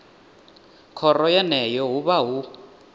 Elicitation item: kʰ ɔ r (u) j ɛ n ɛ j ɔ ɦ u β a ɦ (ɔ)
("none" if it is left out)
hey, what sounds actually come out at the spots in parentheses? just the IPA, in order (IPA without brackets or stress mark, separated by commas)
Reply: ɔ, u